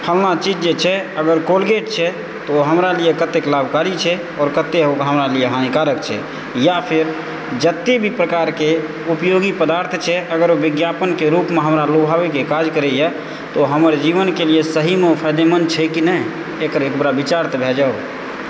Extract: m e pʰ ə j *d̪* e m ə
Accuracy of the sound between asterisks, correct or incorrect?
correct